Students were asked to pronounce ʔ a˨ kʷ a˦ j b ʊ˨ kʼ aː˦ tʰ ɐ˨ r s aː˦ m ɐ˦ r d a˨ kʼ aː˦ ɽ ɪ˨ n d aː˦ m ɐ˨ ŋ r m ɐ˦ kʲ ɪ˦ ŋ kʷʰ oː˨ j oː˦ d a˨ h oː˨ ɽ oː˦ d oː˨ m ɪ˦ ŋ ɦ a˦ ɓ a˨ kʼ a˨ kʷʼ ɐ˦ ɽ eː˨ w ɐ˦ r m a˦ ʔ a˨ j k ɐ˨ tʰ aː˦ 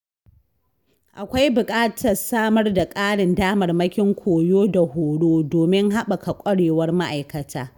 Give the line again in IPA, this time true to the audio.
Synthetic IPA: ʔ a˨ kʷ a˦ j b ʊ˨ kʼ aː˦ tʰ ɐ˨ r s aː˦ m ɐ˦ r d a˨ kʼ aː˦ ɽ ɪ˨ n d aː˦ m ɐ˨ r m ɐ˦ kʲ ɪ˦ ŋ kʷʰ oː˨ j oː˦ d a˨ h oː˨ ɽ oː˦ d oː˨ m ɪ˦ ŋ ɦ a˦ ɓ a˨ k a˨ kʷʼ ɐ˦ ɽ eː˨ w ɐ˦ r m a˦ ʔ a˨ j k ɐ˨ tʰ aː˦